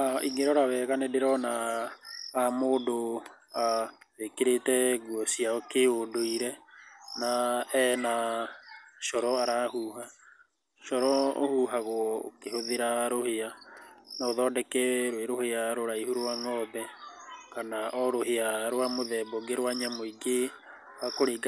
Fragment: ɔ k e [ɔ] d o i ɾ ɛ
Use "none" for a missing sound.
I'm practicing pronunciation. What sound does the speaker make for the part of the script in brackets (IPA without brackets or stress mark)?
o